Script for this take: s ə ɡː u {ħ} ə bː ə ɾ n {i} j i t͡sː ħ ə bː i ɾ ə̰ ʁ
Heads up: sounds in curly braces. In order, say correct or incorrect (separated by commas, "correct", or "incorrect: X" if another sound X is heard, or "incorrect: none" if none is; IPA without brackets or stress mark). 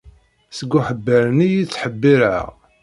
correct, correct